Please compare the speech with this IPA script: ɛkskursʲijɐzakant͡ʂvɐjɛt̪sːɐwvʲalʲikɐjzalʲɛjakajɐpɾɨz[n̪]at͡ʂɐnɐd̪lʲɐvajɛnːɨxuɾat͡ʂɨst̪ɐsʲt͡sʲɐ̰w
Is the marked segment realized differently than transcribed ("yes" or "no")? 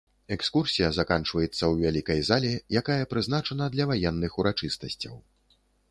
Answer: no